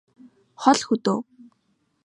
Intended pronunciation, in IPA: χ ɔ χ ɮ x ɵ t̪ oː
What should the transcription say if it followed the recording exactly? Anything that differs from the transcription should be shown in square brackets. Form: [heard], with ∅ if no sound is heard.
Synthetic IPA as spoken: χ ɔ [∅] ɮ x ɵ t̪ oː